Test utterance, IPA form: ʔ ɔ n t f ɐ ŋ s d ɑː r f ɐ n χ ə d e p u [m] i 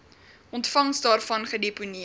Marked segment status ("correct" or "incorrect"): incorrect